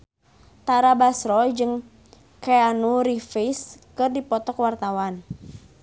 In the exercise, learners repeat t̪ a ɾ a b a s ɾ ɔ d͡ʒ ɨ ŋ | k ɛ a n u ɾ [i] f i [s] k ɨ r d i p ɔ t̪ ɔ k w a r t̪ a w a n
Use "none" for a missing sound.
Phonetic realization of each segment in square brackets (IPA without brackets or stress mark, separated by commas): i, s